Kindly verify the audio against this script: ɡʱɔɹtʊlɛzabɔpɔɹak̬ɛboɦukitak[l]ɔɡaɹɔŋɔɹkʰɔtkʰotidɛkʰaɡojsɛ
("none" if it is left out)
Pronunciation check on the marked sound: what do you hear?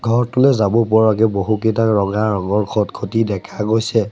ɹ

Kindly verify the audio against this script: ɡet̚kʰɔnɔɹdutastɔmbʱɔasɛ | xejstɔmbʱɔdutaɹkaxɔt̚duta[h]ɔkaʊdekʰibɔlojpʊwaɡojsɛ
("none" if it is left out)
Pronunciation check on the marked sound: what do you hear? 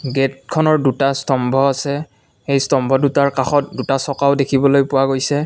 s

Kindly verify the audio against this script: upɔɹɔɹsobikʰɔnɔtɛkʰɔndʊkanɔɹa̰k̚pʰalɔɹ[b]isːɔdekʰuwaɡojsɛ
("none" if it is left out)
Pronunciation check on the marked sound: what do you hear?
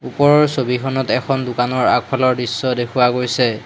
d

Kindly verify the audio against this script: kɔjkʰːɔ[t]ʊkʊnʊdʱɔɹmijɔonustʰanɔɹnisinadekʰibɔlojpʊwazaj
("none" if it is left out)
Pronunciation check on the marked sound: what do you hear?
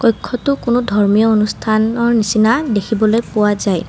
t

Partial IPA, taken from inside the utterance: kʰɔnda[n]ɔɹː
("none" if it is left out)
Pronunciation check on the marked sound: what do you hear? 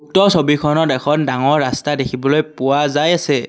ŋ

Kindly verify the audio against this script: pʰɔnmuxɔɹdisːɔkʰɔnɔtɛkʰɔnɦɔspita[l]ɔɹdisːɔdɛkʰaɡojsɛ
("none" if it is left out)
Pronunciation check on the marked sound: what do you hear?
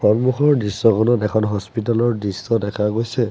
l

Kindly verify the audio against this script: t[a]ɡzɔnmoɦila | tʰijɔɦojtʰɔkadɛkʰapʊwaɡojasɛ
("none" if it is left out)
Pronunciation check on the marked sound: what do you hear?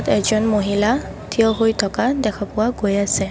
ɛ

